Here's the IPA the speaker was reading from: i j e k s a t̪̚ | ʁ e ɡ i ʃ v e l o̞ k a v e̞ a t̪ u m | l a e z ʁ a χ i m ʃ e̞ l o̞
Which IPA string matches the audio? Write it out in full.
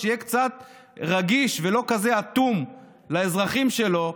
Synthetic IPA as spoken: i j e k t͡s a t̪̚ | ʁ a ɡ i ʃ v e l o̞ k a z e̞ a t̪ u m | l a e z ʁ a χ i m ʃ e̞ l o̞